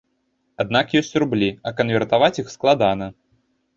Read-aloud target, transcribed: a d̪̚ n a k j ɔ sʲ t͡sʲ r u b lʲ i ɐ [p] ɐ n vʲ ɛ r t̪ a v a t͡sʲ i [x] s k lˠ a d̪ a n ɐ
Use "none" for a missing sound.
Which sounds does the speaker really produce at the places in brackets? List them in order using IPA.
k, x

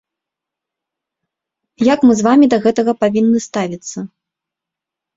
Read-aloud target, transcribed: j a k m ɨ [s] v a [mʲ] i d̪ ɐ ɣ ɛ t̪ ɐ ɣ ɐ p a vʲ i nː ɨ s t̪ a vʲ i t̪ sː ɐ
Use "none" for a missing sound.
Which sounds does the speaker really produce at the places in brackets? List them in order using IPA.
z, mʲ

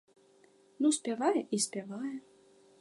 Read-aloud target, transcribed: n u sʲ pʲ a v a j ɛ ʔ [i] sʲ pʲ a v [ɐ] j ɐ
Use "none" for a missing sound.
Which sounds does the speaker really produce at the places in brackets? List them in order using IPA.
i, a

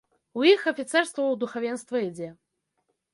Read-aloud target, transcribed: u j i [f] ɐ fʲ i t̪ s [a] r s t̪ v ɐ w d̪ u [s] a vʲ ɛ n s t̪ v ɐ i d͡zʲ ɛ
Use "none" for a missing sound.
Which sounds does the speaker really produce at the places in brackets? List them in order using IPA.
x, ɛ, x

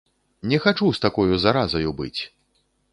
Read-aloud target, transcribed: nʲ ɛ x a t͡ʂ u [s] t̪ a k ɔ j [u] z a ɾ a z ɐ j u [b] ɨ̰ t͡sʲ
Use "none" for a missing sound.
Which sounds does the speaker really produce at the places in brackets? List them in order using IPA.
s, u, b

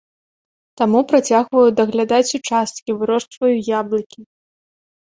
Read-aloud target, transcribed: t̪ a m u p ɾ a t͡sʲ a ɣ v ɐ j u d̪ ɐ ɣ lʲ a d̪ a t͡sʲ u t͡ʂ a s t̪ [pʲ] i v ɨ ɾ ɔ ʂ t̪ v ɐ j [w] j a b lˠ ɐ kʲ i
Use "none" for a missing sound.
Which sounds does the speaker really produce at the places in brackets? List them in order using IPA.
kʲ, u

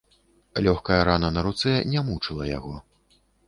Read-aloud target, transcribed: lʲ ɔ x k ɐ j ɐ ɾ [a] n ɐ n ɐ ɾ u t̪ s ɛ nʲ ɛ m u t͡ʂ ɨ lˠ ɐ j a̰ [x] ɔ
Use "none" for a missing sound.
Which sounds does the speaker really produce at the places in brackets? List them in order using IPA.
a, ɣ

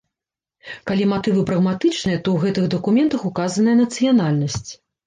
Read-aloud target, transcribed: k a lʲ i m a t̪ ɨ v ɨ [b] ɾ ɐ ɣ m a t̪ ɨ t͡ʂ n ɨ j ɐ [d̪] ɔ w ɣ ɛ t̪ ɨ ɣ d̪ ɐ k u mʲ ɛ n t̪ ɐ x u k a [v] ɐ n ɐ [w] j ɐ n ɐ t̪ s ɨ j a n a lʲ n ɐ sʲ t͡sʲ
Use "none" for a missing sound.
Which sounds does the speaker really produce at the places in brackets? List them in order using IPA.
p, t̪, z, none

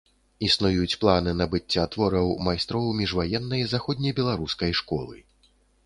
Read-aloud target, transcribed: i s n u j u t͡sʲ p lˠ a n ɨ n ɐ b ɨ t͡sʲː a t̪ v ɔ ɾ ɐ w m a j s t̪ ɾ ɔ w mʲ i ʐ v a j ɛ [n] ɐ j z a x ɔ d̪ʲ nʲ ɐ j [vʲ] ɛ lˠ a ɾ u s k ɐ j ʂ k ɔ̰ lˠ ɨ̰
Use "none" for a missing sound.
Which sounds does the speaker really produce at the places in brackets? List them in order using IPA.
nː, bʲ

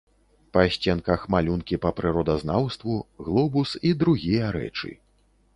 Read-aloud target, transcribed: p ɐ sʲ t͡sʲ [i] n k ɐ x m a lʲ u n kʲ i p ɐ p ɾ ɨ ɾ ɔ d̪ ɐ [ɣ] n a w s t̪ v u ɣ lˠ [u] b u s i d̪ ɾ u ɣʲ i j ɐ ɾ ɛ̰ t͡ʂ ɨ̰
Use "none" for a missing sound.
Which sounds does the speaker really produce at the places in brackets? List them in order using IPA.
ɛ, z, ɔ

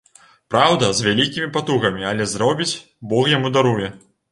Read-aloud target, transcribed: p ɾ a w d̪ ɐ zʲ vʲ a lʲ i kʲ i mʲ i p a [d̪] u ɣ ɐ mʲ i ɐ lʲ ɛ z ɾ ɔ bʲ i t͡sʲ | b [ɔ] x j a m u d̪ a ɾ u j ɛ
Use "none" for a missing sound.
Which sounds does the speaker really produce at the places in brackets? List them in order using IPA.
t̪, ɔ

